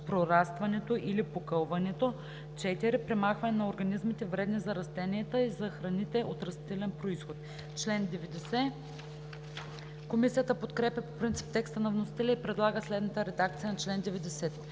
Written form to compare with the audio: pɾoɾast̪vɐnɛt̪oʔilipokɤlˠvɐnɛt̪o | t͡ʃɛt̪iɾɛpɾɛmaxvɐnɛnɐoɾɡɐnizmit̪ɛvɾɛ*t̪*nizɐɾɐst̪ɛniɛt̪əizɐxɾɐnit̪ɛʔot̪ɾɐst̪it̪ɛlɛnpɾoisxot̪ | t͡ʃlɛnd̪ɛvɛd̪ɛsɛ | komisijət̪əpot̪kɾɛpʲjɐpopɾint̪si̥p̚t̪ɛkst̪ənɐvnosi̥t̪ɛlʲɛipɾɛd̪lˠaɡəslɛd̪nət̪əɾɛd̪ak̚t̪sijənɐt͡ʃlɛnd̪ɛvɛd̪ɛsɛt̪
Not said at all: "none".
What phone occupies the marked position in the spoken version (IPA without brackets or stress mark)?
d̪